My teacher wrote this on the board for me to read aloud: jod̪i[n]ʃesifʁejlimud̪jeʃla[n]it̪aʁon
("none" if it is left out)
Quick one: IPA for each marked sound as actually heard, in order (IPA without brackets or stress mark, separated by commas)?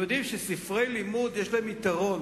m, m